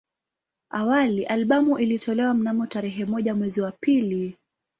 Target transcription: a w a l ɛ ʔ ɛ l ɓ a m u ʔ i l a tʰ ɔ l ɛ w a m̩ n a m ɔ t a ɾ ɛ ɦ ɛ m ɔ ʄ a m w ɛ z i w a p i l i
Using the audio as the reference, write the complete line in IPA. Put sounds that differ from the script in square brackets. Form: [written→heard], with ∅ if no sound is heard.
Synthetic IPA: a w a l [ɛ→i] ʔ [ɛ→a] l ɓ a m u ʔ i l [a→i] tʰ ɔ l ɛ w a m̩ n a m ɔ t a ɾ ɛ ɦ ɛ m ɔ ʄ a m w ɛ z i w a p i l i